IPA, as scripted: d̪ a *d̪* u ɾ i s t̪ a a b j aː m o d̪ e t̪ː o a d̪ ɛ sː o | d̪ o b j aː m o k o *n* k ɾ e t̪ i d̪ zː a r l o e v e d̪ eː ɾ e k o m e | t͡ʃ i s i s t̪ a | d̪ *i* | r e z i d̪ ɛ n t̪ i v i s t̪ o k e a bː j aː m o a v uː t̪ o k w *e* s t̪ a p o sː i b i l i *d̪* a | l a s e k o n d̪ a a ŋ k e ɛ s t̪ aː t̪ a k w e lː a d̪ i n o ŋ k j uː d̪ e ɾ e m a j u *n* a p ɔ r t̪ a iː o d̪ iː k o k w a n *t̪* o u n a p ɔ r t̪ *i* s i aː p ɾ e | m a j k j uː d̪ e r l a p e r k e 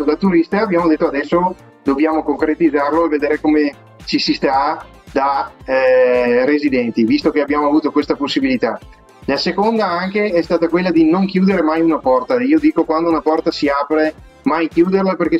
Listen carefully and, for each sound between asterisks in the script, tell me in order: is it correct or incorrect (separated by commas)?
incorrect, incorrect, incorrect, correct, incorrect, correct, incorrect, incorrect